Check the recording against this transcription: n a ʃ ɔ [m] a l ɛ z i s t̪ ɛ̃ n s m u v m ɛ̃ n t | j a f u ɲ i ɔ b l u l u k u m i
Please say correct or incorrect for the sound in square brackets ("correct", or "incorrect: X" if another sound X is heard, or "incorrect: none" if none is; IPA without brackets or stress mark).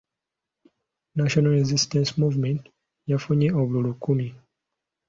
incorrect: n